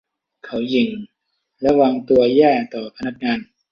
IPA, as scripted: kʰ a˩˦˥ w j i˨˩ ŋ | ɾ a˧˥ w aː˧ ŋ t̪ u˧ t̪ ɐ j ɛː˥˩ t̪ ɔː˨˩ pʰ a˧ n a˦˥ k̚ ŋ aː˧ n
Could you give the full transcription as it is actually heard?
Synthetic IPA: kʰ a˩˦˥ w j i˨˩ ŋ | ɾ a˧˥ w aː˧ ŋ t̪ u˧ ɐ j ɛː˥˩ t̪ ɔː˨˩ pʰ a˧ n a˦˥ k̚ ŋ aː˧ n